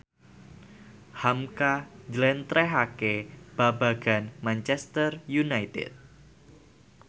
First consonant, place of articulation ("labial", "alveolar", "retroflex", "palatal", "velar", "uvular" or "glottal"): glottal